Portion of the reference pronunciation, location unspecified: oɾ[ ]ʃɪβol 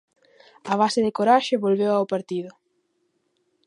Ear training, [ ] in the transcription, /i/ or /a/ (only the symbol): a